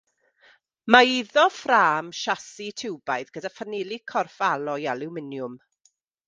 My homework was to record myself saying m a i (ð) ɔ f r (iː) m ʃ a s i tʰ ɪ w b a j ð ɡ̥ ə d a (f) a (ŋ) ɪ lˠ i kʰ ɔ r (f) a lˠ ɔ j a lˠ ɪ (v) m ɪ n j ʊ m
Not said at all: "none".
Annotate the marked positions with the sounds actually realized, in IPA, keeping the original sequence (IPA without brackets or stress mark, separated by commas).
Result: ð, aː, f, n, f, w